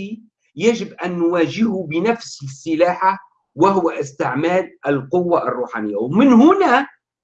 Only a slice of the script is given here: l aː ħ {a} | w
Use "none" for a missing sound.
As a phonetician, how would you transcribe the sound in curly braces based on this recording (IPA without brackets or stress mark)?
a